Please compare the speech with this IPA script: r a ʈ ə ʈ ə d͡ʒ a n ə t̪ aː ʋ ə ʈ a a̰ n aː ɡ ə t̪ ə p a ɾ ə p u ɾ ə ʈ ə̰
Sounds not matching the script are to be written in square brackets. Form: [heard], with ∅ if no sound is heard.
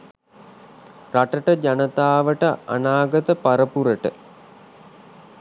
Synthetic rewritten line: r a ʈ ə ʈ ə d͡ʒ a n ə t̪ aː ʋ ə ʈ [ə] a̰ n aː ɡ ə t̪ ə p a ɾ ə p u ɾ ə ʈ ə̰